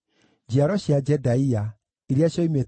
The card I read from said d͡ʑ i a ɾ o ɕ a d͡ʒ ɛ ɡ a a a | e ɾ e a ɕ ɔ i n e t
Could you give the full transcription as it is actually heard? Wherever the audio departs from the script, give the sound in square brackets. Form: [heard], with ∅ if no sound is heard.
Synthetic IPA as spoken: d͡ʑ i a ɾ [ɔ] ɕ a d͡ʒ ɛ [d] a [i] a | e ɾ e a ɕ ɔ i [m] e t